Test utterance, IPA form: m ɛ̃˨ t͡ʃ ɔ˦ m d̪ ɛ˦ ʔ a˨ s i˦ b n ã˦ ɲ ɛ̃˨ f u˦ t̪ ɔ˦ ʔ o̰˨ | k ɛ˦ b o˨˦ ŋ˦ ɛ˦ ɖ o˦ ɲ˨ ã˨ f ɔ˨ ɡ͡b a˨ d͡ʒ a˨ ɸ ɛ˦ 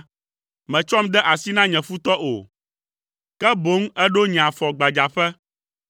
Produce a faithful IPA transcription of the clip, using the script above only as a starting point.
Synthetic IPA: m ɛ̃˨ t͡ʃ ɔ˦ m d̪ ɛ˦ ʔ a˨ s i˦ n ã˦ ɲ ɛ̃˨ f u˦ t̪ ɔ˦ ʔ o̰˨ | k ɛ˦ b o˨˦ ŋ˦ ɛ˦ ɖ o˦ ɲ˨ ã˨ f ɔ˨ ɡ͡b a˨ d͡ʒ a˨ ɸ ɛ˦

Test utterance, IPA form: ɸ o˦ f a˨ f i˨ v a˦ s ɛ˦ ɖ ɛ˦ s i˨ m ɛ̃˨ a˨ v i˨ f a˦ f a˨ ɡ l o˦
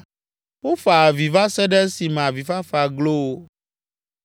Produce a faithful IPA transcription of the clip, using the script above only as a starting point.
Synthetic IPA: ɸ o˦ f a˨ v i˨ v a˦ s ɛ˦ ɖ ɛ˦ s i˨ m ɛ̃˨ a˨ v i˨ f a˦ f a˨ ɡ l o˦

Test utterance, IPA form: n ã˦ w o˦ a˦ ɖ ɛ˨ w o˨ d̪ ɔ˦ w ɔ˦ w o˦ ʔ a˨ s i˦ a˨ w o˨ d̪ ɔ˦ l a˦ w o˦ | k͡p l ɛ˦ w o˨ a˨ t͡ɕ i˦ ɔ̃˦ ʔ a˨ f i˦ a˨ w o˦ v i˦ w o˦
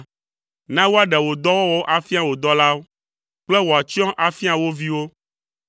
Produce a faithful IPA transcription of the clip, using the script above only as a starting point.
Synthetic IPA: n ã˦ w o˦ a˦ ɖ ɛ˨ w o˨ d̪ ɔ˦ w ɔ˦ w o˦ ʔ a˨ f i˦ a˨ w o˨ d̪ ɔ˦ l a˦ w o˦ | k͡p l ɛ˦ w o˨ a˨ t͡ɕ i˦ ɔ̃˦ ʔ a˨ f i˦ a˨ w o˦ v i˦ w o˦

